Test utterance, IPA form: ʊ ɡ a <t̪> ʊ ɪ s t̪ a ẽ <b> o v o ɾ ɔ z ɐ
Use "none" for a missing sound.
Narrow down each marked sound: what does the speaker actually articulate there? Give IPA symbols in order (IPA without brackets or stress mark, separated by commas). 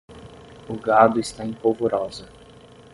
d̪, p